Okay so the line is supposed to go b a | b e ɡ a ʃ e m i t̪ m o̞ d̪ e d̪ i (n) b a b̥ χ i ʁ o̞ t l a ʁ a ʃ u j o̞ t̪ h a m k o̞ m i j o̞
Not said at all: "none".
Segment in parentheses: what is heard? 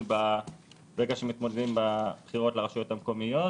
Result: m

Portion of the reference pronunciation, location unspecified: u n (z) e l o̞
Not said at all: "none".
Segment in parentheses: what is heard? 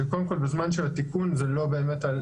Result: z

